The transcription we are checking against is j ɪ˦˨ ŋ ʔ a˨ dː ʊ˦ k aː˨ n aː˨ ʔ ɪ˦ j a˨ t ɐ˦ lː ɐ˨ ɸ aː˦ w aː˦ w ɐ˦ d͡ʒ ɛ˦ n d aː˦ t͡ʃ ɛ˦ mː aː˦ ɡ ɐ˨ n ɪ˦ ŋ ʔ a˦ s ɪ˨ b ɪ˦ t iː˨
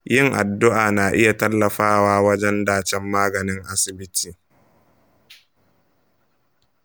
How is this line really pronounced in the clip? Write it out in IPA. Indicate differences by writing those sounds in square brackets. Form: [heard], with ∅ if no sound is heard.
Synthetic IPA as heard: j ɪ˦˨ ŋ ʔ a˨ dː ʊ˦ [ʔ] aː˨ n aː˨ ʔ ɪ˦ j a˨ t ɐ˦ lː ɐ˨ ɸ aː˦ w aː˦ w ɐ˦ d͡ʒ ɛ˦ n d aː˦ t͡ʃ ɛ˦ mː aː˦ ɡ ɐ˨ n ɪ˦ ŋ ʔ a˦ s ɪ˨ b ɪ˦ t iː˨